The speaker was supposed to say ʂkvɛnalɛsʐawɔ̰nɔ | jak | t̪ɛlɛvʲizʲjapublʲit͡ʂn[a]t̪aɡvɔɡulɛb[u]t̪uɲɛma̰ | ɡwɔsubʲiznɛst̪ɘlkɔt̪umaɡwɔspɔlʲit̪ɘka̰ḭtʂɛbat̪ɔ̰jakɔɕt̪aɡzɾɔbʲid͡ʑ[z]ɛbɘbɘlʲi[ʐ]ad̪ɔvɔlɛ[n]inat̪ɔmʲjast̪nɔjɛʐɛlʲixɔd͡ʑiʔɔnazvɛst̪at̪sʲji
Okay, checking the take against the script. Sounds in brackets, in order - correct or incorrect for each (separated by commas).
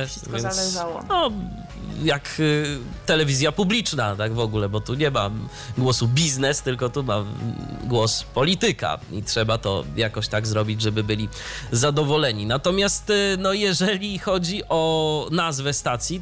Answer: correct, incorrect, incorrect, incorrect, incorrect